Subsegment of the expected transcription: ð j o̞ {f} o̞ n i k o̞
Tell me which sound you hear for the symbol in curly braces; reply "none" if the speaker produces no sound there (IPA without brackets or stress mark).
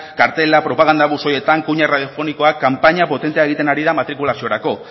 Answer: f